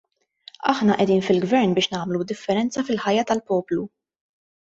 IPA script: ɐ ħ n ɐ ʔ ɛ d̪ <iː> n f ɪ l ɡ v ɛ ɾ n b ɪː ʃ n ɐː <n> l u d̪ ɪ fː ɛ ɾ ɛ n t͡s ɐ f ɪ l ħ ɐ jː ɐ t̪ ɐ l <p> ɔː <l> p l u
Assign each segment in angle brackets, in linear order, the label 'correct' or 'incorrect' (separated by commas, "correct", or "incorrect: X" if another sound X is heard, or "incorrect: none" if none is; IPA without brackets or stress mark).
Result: correct, incorrect: m, correct, incorrect: none